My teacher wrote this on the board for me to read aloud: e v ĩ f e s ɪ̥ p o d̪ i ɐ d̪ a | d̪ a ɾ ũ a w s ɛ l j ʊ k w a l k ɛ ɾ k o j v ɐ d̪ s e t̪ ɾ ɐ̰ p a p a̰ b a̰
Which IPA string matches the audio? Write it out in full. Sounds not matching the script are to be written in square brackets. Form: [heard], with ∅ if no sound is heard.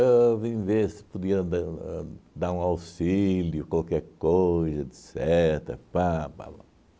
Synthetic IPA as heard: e v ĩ [v] e s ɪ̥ p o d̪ i ɐ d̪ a | d̪ a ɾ ũ a w s [i] l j ʊ k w a l k ɛ ɾ k o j [z] ɐ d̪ s [ɛ] t̪ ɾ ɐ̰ p a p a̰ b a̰